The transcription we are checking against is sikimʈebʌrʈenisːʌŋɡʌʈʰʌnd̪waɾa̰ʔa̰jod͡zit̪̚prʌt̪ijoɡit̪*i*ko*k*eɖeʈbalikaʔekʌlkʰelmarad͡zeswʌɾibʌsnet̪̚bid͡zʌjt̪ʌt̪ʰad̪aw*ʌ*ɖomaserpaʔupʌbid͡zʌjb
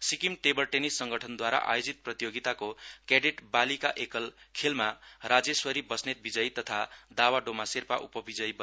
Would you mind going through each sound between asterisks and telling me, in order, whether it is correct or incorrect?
incorrect: a, correct, incorrect: a

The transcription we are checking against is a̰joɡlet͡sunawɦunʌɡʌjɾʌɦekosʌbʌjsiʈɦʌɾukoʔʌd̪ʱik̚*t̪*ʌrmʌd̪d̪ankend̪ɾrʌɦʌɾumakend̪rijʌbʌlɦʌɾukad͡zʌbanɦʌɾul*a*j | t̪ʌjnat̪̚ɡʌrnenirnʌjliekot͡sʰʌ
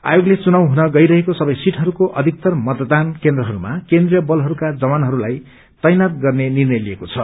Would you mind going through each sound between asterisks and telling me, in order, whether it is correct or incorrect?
correct, correct

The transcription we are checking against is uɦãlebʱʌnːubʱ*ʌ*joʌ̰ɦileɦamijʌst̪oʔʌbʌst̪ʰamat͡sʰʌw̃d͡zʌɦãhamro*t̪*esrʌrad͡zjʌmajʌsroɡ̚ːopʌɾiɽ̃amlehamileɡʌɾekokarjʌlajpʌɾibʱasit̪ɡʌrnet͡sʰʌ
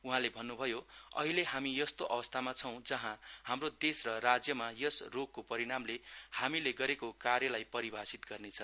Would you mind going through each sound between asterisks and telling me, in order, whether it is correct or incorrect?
correct, incorrect: d̪

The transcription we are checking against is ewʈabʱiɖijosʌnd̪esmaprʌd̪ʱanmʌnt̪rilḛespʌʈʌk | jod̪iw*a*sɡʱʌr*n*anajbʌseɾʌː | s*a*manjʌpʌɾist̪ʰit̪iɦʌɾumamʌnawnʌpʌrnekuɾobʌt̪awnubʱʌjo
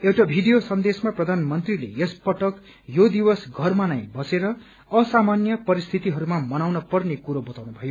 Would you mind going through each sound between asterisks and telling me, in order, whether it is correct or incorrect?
incorrect: ʌ, incorrect: m, correct

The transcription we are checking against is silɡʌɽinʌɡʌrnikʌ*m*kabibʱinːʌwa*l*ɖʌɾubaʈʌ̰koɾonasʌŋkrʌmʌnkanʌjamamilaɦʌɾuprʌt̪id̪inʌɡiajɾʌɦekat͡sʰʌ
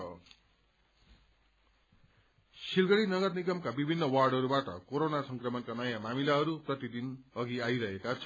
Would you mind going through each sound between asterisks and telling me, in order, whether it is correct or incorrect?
correct, incorrect: r

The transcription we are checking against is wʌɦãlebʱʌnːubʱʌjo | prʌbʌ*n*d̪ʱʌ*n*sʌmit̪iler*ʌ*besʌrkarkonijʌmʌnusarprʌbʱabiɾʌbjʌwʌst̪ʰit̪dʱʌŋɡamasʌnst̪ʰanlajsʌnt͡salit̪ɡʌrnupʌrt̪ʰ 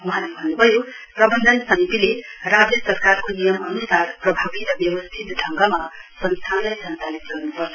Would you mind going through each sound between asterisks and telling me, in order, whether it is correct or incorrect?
correct, correct, incorrect: a

